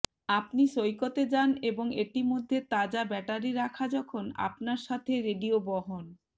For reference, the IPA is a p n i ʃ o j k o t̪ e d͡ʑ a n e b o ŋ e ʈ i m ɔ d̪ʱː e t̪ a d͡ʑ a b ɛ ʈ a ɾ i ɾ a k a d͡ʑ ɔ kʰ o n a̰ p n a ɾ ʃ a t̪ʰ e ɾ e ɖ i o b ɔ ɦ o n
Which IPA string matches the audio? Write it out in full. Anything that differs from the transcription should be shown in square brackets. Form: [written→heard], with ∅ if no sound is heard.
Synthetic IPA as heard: a p n i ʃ o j k o t̪ e d͡ʑ a n e b o ŋ e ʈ i m [ɔ→o] d̪ʱː e t̪ a d͡ʑ a b ɛ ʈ a ɾ i ɾ a [k→kʰ] a d͡ʑ ɔ kʰ o n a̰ p n a ɾ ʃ a t̪ʰ e ɾ e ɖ i o b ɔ ɦ o n